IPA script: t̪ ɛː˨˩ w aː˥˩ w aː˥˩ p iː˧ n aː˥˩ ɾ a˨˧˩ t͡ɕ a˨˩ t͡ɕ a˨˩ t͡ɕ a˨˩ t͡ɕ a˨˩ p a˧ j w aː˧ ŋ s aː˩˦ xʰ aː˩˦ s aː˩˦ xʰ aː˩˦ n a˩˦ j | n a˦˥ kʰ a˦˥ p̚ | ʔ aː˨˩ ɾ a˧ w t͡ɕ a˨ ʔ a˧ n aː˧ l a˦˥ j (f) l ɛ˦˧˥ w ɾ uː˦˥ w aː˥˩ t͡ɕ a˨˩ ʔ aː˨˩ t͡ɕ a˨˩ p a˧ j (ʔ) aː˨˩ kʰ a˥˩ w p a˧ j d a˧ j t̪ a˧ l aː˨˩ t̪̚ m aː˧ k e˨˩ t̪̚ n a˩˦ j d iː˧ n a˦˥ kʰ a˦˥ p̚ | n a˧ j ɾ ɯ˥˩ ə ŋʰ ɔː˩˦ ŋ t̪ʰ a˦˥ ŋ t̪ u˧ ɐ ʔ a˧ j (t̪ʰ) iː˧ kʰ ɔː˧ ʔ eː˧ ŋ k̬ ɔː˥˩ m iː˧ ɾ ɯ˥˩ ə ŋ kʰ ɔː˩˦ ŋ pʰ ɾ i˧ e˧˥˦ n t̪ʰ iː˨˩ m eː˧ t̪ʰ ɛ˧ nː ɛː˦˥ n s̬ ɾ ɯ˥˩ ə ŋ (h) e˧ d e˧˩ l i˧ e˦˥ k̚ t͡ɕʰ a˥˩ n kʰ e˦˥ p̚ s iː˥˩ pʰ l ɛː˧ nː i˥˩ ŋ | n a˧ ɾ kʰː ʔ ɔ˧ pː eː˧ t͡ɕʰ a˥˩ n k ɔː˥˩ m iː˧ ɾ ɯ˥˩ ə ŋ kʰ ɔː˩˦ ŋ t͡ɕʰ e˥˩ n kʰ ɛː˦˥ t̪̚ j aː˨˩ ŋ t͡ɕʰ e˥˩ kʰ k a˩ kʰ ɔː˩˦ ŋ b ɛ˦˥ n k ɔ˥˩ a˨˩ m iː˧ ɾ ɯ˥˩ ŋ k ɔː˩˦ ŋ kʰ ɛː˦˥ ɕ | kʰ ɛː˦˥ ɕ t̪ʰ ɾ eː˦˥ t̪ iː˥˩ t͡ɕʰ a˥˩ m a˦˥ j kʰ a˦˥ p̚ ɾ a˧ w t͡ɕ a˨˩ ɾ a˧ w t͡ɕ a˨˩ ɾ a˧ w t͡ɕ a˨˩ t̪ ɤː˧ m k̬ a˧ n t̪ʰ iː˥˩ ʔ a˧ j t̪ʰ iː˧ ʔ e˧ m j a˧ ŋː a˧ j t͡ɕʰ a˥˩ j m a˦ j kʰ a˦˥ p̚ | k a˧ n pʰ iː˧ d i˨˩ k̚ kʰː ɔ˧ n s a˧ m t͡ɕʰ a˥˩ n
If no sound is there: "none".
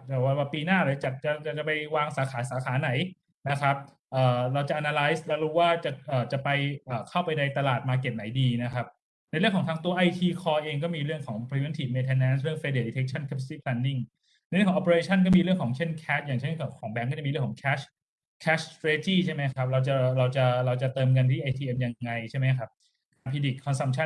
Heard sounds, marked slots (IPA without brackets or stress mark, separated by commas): s, ʔ, t̪ʰ, f